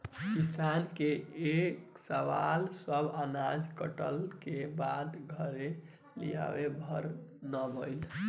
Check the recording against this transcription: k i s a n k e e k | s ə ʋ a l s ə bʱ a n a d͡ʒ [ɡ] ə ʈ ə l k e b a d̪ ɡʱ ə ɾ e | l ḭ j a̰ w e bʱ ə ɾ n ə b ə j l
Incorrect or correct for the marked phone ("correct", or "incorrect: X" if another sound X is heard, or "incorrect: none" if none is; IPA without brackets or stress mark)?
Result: incorrect: k